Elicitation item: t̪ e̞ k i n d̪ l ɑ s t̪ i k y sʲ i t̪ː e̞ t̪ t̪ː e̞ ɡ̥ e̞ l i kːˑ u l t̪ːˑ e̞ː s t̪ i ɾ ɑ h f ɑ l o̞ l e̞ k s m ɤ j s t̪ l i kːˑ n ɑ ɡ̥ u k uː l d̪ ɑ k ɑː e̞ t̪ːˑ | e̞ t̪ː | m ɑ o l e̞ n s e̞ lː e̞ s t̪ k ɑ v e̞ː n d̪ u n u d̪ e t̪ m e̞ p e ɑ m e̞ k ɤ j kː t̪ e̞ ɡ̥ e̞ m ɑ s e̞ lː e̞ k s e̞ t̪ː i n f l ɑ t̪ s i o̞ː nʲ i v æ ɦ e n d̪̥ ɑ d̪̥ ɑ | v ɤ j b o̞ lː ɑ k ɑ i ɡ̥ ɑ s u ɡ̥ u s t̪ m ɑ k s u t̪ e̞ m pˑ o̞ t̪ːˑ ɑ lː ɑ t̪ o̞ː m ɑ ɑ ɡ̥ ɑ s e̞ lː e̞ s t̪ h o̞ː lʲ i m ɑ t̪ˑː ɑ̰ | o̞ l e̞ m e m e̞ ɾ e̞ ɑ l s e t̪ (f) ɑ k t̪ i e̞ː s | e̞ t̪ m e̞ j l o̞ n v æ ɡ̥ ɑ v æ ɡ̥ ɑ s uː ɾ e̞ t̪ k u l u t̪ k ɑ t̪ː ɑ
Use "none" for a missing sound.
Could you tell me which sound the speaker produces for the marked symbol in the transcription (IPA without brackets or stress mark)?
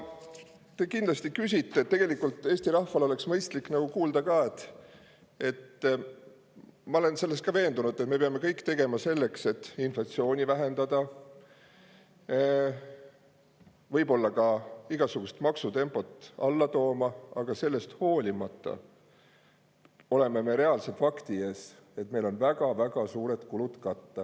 f